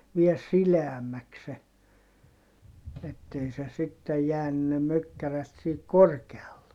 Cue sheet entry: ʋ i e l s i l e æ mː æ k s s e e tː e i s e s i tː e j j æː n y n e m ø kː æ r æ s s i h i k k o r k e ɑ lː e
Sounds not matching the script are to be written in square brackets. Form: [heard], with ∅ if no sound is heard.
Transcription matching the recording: ʋ i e l s i l e æ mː æ k s s e e tː e i s e s i tː e j j æː n y n e m ø kː æ r æ [t] s i h i k k o r k e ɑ lː e